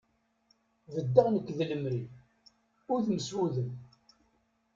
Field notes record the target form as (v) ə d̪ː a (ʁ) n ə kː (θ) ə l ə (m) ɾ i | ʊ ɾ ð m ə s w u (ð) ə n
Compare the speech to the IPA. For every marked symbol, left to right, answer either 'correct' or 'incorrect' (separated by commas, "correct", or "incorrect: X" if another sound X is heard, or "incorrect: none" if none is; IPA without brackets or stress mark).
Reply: correct, correct, incorrect: ð, correct, correct